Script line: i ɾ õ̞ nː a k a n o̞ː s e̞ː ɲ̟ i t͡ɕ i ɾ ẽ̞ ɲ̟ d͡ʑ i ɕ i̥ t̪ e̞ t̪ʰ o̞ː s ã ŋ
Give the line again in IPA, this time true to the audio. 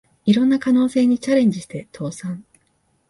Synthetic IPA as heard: i ɾ õ̞ nː a k a n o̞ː s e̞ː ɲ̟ i t͡ɕ a ɾ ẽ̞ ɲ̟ d͡ʑ i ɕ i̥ t̪ e̞ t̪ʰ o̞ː s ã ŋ